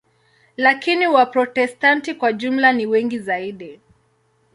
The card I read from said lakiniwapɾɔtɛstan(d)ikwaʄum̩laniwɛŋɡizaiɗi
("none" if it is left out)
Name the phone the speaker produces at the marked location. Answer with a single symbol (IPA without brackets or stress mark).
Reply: t